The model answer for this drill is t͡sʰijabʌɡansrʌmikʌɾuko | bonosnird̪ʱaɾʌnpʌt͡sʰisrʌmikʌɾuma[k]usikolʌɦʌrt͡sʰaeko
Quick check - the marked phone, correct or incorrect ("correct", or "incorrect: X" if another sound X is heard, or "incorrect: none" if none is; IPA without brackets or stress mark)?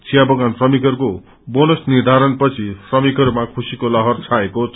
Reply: incorrect: kʰ